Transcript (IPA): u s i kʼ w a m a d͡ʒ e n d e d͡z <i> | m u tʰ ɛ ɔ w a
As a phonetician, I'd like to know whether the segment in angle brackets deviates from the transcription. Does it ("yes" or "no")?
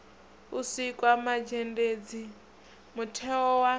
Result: no